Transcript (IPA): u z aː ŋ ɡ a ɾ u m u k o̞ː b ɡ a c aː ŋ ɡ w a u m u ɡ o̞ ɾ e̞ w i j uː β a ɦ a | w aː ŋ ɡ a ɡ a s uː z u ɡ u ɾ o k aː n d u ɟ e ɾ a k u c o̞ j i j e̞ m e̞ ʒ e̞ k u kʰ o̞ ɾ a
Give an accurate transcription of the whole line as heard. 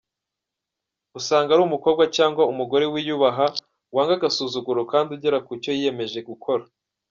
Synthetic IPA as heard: u s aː ŋ ɡ a ɾ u m u k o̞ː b ɡ a c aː ŋ ɡ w a u m u ɡ o̞ ɾ e̞ w i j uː β a ɦ a | w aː ŋ ɡ a ɡ a s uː z u ɡ u ɾ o k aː n d u ɟ e ɾ a k u c o̞ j i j e̞ m e̞ ʒ e̞ ɡ u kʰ o̞ ɾ a